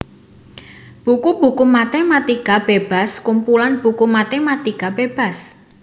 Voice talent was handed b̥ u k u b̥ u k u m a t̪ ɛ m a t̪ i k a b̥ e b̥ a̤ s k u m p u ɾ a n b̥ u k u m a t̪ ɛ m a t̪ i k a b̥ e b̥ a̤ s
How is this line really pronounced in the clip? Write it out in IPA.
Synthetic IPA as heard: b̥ u k u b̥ u k u m a t̪ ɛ m a t̪ i k a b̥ e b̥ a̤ s k u m p u l a n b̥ u k u m a t̪ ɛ m a t̪ i k a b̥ e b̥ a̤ s